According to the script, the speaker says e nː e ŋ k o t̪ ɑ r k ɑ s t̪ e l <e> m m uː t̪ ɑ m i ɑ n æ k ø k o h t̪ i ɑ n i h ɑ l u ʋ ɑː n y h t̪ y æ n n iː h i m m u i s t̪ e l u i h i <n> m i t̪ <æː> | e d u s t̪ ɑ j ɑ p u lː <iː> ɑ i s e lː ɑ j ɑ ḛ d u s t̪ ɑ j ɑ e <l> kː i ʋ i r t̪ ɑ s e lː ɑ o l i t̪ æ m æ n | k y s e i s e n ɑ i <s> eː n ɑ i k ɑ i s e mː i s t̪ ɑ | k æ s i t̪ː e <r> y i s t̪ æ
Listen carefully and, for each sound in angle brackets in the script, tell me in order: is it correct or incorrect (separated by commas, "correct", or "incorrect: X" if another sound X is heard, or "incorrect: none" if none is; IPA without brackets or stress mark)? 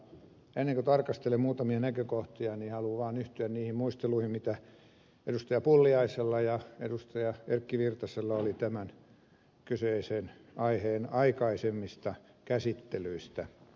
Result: correct, incorrect: m, incorrect: æ, incorrect: i, incorrect: r, incorrect: h, incorrect: l